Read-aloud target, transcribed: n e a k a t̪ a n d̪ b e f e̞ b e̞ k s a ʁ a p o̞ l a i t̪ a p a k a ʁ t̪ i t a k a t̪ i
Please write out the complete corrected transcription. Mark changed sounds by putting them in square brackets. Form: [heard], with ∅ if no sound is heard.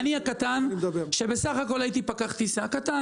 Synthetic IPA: n [i] a k a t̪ a n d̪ b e [ʃ] e̞ b e̞ [∅] s a [χ] a [k] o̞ l a i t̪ [i] p a k a [χ] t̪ i [s] a k a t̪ [a]